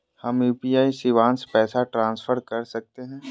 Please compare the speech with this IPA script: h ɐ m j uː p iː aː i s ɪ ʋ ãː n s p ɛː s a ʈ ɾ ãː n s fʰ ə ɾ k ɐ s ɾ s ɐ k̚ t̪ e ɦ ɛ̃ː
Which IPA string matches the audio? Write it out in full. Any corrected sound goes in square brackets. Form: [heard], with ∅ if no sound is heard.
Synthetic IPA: h ɐ m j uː p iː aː i s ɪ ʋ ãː n s p ɛː s a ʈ ɾ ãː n s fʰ ə ɾ k ɐ [∅] ɾ s ɐ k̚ t̪ e ɦ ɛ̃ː

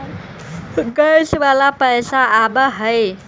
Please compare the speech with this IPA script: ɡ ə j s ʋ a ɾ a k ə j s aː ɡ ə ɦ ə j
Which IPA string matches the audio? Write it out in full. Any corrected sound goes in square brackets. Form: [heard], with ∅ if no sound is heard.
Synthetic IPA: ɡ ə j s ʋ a [l] a [p] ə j s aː [b] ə ɦ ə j

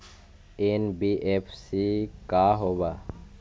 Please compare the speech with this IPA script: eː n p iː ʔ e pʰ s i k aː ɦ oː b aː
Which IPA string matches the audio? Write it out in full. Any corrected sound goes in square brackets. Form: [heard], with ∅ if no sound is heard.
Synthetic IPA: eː n [b] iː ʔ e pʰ s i k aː ɦ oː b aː

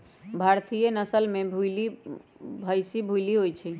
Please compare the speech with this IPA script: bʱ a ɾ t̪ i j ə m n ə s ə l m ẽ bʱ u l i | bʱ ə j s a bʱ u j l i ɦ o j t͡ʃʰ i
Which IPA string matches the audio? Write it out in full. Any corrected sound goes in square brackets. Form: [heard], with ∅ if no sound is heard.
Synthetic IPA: bʱ a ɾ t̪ i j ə [∅] n ə s ə l m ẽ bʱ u l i | bʱ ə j s [i] bʱ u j l i ɦ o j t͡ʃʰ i

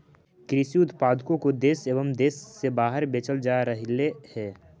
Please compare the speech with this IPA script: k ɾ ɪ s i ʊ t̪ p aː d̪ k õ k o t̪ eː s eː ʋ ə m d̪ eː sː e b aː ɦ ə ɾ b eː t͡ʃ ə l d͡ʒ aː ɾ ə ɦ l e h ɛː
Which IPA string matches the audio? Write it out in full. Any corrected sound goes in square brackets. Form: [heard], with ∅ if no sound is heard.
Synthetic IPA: k ɾ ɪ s i ʊ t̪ p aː d̪ k õ k o [d̪] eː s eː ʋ ə m d̪ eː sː e b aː ɦ ə ɾ b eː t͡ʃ ə l d͡ʒ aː ɾ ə ɦ l e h ɛː

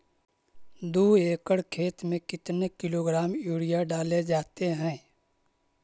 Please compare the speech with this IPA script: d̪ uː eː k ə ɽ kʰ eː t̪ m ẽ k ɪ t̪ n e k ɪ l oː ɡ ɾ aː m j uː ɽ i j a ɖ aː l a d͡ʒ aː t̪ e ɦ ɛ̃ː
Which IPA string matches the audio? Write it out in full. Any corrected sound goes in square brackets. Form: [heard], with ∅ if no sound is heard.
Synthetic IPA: d̪ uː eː k ə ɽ kʰ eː t̪ m ẽ k ɪ t̪ n e k ɪ l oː ɡ ɾ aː m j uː ɽ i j a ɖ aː l [e] d͡ʒ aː t̪ e ɦ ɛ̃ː

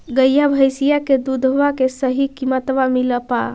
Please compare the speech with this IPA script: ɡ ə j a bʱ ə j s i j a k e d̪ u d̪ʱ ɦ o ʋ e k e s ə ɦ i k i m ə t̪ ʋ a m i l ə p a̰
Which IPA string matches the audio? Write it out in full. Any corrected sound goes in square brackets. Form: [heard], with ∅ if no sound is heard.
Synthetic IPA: ɡ ə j a bʱ ə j s i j a k e d̪ u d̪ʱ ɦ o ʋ [a] k e s ə ɦ i k i m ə t̪ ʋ a m i l ə p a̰

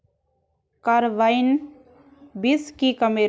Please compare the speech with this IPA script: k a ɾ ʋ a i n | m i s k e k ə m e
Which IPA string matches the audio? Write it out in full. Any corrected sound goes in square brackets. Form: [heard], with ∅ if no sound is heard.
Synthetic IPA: k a ɾ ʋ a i n | [b] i s k [i] k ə m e

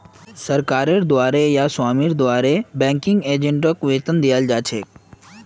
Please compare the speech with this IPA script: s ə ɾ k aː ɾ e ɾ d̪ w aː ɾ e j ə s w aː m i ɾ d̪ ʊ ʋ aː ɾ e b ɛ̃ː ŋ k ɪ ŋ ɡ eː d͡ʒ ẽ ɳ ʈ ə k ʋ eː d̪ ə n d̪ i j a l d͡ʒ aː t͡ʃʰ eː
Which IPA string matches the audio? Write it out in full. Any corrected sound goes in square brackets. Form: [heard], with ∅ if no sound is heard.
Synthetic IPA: s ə ɾ k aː ɾ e ɾ d̪ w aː ɾ e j [a] s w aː m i ɾ d̪ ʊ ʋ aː ɾ e b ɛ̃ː ŋ k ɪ ŋ ɡ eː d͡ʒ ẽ ɳ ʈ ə k ʋ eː [t̪] ə n d̪ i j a l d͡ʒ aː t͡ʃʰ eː

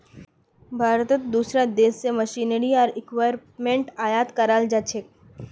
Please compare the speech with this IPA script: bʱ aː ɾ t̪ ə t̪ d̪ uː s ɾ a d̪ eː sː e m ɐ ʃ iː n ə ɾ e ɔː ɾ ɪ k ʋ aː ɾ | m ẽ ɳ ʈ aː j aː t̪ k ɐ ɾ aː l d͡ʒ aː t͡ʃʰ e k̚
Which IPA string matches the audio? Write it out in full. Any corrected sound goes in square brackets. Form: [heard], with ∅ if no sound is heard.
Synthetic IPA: bʱ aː ɾ t̪ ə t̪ d̪ uː s ɾ a d̪ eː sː e m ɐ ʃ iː n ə ɾ [i] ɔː ɾ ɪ k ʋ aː ɾ | m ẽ ɳ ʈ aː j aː t̪ k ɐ ɾ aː l d͡ʒ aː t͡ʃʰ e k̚

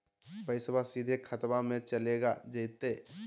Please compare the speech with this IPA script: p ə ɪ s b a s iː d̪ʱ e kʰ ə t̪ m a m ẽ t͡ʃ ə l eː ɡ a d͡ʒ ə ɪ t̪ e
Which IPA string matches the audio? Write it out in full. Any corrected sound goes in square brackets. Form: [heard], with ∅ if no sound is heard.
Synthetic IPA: p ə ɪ s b a s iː d̪ʱ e kʰ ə t̪ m a m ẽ t͡ʃ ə l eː ɡ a d͡ʒ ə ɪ t̪ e

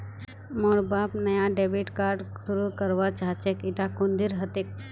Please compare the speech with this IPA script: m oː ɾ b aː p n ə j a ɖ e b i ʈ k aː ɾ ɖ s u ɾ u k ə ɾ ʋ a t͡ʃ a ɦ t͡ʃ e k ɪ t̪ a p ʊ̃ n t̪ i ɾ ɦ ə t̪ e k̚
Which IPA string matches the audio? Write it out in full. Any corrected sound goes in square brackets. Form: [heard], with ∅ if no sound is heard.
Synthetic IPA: m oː ɾ b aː p n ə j a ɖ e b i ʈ k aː ɾ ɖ s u ɾ u k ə ɾ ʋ a t͡ʃ a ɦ t͡ʃ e k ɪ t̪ a [k] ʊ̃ n [d̪] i ɾ ɦ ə t̪ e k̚

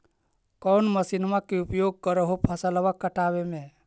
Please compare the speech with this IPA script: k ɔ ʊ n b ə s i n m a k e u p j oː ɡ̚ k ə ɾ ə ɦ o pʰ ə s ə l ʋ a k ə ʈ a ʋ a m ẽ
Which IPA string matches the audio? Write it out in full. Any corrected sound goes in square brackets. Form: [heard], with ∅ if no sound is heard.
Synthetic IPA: k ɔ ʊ n [m] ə s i n m a k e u p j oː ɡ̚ k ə ɾ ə ɦ o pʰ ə s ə l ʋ a k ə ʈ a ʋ [e] m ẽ

